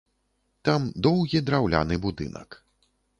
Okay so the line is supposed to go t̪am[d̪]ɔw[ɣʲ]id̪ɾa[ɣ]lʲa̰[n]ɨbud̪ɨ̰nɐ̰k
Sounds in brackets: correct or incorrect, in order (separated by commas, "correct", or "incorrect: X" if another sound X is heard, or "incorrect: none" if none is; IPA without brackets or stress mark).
correct, correct, incorrect: w, correct